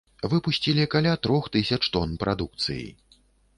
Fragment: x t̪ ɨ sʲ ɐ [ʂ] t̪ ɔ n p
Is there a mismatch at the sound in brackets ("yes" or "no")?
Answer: yes